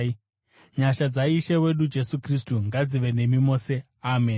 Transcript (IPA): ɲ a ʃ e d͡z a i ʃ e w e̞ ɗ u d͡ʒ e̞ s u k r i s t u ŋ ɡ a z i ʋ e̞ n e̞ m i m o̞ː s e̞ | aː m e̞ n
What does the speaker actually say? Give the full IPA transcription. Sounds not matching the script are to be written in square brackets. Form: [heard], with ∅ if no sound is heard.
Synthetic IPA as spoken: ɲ a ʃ [a] d͡z a i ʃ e w e̞ ɗ u d͡ʒ e̞ s u k r i s t u ŋ ɡ a [d͡z] i ʋ e̞ n e̞ m i m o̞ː s e̞ | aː m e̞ n